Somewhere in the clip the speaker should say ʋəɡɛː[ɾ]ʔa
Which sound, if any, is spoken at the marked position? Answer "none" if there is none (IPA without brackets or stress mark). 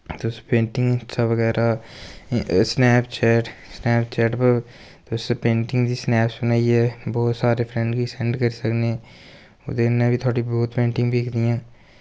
ɾ